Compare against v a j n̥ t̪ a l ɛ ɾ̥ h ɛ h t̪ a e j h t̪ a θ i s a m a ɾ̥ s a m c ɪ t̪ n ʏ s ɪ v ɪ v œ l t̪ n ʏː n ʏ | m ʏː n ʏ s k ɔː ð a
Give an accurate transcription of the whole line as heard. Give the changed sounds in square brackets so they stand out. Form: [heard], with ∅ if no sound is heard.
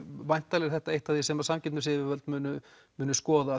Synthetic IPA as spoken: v a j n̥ t̪ a l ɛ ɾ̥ [θ] ɛ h t̪ a e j h t̪ a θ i s [ɛ] m a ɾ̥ s a m c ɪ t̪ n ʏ s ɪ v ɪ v œ l t̪ [m] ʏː n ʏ | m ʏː n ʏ s k ɔː ð a

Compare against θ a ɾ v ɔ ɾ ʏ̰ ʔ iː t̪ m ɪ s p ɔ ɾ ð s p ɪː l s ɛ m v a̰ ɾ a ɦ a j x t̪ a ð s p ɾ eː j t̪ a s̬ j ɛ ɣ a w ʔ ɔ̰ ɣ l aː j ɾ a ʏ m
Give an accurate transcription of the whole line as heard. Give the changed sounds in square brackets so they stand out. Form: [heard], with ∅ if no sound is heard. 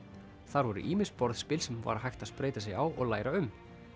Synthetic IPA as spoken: θ a ɾ v ɔ ɾ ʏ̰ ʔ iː [∅] m ɪ s p ɔ ɾ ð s p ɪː l s ɛ m v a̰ ɾ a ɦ a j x t̪ a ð s p ɾ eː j t̪ a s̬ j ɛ ɣ a w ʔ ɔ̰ ɣ l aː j ɾ a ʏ m

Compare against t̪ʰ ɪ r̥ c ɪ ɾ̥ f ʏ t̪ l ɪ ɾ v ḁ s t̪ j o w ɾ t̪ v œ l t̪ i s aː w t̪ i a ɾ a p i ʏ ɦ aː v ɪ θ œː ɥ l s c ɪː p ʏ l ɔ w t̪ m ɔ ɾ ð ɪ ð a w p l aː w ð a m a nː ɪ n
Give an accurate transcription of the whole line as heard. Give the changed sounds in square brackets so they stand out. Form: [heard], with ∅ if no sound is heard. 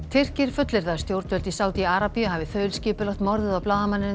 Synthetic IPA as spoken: t̪ʰ ɪ r̥ c ɪ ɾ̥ f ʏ t̪ l ɪ ɾ [ð] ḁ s t̪ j o w ɾ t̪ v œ l t̪ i s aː w t̪ i a ɾ a p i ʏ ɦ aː v ɪ θ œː ɥ l s c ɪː p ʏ l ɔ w t̪ m ɔ ɾ ð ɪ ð a w p l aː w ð a m a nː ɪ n

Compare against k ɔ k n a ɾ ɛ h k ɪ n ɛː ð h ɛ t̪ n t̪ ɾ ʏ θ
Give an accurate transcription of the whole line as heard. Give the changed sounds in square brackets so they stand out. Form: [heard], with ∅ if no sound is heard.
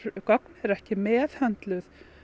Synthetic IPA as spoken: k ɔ k n [ɛ] ɾ ɛ h [c] ɪ [m] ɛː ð h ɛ [∅] n t̪ [l] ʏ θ

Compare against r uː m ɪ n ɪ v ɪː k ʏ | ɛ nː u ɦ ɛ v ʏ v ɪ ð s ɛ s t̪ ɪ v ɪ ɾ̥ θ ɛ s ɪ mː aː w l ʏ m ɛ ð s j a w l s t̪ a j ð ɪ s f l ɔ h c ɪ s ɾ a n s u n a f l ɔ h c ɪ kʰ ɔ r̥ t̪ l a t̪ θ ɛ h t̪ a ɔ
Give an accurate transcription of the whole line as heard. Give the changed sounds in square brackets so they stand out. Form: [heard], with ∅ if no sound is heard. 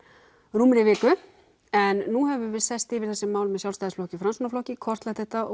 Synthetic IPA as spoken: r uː m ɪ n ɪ v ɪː k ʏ | ɛ nː u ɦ ɛ v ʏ v ɪ ð s ɛ s t̪ ɪ v ɪ ɾ̥ θ ɛ s ɪ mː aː w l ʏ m ɛ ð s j a w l s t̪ a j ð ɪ s f l ɔ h c ɪ [f] ɾ a n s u n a f l ɔ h c ɪ kʰ ɔ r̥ t̪ l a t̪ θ ɛ h t̪ a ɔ

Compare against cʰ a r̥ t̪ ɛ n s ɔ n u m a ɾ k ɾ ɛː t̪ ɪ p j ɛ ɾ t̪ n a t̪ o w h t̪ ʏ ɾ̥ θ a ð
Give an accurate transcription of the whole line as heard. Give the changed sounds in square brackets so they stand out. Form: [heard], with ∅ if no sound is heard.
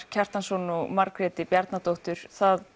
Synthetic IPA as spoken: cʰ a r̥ t̪ [a] n s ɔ n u m a ɾ k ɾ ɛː t̪ ɪ p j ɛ ɾ t̪ n a t̪ o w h t̪ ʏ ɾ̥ θ a ð

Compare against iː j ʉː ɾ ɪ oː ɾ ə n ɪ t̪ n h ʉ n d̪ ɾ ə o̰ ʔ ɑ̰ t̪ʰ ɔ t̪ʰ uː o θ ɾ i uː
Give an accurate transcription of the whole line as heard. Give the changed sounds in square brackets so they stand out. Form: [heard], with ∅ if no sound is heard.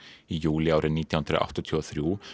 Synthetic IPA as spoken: iː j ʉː [l] ɪ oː ɾ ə n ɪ t̪ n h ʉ n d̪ ɾ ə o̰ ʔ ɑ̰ [t̪] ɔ t̪ʰ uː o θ ɾ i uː

